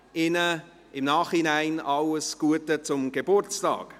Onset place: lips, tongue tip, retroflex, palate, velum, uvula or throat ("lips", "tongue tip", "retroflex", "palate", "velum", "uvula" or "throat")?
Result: tongue tip